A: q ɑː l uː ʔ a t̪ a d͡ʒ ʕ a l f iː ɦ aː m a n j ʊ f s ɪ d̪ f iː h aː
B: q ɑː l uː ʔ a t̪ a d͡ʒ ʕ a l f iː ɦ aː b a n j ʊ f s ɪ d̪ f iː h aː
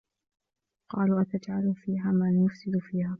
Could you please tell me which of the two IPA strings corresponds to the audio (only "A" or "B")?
A